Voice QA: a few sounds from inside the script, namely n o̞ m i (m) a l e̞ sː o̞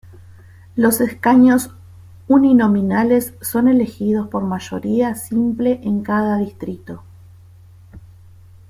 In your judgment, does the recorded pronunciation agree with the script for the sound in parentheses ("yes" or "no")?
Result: no